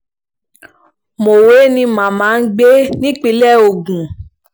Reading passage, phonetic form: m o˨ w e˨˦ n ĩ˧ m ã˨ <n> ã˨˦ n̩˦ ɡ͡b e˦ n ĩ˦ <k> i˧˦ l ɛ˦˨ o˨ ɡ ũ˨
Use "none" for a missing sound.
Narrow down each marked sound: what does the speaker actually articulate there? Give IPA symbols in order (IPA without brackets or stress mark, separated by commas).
m, k͡p